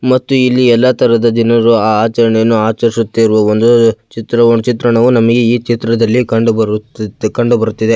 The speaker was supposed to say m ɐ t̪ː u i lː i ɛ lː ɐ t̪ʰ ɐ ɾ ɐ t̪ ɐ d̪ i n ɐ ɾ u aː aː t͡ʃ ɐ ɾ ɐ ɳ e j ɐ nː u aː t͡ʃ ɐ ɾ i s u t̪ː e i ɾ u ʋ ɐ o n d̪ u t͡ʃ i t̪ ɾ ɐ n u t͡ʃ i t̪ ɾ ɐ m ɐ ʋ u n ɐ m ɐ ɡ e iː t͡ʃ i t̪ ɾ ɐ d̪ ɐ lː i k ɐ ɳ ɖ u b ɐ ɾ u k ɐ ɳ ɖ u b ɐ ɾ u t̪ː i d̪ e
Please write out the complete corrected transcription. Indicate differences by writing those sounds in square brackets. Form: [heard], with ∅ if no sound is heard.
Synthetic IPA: m ɐ t̪ː u i lː i ɛ lː ɐ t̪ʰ ɐ ɾ ɐ [d̪] ɐ d̪ i n ɐ ɾ u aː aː t͡ʃ ɐ ɾ ɐ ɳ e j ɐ nː u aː t͡ʃ ɐ ɾ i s u t̪ː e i ɾ u ʋ ɐ o n d̪ u t͡ʃ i t̪ ɾ ɐ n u t͡ʃ i t̪ ɾ ɐ [ɳ] ɐ ʋ u n ɐ m ɐ ɡ e iː t͡ʃ i t̪ ɾ ɐ d̪ ɐ lː i k ɐ ɳ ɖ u b ɐ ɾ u k ɐ ɳ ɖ u b ɐ ɾ u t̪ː i d̪ e